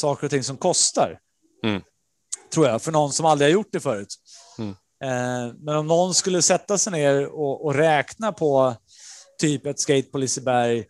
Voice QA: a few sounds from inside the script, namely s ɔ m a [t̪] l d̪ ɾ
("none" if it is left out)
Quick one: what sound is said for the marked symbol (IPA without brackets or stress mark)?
none